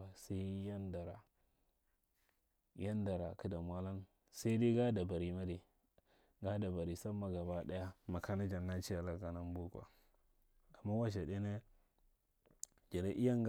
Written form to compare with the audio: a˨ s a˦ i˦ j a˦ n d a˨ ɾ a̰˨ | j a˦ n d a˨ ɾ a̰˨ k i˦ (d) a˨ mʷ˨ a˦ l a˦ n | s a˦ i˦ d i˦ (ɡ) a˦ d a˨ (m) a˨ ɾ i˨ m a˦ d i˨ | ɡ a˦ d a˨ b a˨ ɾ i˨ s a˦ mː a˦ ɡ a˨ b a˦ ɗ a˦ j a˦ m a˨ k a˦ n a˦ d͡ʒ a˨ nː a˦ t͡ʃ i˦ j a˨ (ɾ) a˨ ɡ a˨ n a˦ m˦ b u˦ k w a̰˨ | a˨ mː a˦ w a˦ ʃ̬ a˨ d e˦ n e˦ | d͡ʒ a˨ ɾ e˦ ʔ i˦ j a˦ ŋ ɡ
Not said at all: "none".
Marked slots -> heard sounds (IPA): d, ɡ, b, l

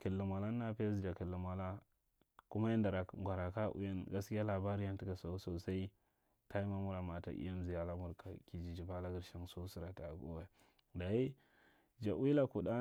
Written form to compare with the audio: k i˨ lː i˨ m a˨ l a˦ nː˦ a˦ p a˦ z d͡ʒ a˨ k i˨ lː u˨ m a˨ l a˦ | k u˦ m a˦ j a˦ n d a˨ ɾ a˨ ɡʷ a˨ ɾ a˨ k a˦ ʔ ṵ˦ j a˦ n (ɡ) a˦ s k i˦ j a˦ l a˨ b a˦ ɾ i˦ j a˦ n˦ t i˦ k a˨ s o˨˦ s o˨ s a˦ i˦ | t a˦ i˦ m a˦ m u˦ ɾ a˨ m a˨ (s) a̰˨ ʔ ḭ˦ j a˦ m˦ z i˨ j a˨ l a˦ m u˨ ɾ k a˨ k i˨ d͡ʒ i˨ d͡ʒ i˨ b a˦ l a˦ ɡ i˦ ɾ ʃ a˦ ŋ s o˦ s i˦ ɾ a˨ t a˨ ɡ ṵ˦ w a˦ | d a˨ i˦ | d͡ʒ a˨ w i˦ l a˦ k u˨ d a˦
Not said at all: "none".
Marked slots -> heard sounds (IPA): ɡ, t

